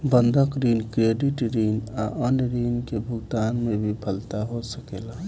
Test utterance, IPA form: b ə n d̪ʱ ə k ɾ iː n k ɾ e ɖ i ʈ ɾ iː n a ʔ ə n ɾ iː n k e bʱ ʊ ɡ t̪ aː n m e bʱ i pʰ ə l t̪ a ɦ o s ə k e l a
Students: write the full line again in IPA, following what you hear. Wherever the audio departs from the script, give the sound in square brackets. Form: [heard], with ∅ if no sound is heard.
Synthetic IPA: b ə n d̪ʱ ə k ɾ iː n k ɾ e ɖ i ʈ ɾ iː n a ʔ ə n ɾ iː n k e bʱ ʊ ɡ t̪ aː n m e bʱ i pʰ ə l t̪ a ɦ o s ə k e l a